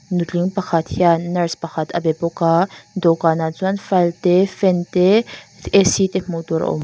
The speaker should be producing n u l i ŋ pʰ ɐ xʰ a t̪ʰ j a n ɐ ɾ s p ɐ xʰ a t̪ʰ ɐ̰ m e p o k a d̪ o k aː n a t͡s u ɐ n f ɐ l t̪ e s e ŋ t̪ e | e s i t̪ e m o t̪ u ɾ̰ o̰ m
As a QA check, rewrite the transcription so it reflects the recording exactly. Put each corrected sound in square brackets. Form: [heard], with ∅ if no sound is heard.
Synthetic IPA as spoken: n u l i ŋ [p] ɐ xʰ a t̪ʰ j a n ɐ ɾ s p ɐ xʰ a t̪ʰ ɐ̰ [b] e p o k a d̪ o k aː n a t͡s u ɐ n f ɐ l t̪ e [f] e [n] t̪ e | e s i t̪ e m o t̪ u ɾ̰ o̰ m